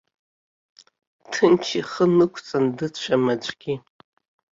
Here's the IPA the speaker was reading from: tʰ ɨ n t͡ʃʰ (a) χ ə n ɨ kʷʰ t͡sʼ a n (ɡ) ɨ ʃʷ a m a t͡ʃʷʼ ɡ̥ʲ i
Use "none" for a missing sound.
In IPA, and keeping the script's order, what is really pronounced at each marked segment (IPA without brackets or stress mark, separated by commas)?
i, d